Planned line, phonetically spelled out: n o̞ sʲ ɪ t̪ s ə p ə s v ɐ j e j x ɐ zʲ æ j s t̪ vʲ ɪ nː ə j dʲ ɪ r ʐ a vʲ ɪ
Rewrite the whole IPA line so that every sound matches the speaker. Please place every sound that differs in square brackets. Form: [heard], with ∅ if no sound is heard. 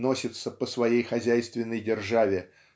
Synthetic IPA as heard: n o̞ sʲ ɪ t̪ s ə p ə s v ɐ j e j x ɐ zʲ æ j s t̪ vʲ ɪ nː ə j dʲ ɪ r ʐ a vʲ ɪ